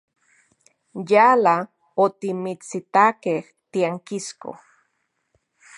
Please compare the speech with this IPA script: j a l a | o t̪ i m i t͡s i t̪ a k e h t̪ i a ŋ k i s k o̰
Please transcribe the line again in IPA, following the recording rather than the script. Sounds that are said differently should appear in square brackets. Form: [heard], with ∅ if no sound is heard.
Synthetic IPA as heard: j a l a | o t̪ i m i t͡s i t̪ a k e h t̪ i a ŋ k i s k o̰